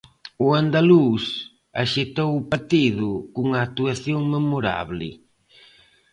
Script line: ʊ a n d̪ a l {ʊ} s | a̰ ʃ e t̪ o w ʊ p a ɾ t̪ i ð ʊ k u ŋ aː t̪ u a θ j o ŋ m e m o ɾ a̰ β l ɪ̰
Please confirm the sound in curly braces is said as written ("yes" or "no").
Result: no